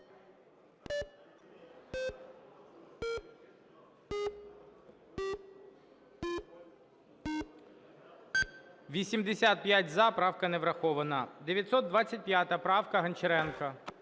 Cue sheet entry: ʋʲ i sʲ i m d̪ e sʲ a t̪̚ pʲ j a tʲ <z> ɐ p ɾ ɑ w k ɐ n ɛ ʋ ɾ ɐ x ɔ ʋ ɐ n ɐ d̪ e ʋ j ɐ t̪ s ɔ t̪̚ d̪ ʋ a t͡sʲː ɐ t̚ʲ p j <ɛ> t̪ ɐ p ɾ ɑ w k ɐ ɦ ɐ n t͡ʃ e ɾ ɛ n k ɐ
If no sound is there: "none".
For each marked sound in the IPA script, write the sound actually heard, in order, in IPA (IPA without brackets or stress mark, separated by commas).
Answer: z, a